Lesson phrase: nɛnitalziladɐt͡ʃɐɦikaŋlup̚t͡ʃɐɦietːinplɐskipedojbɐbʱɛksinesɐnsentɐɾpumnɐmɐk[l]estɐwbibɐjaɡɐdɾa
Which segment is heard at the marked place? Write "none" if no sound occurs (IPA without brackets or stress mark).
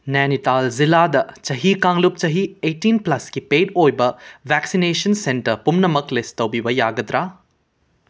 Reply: l